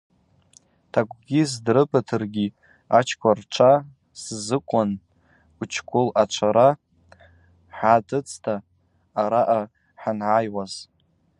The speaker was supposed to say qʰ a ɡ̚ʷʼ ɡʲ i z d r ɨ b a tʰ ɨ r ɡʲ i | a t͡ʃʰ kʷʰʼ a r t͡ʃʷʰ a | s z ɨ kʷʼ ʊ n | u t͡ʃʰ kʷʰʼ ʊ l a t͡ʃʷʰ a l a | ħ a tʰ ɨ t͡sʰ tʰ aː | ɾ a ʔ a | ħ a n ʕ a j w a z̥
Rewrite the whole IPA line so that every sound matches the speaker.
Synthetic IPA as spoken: tʰ a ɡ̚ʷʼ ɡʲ i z d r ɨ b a tʰ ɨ r ɡʲ i | a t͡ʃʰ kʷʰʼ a r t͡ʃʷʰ a | s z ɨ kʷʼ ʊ n | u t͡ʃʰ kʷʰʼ ʊ l a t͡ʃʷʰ a ɾ a | ħ a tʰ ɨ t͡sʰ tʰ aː | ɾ a ʔ a | ħ a n ʕ a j w a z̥